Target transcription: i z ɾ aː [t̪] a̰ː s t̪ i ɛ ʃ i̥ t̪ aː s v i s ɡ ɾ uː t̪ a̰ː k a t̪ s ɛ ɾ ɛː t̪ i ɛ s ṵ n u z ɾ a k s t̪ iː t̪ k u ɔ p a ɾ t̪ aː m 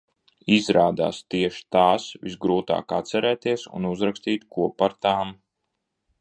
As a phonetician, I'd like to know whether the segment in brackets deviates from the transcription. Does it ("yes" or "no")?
yes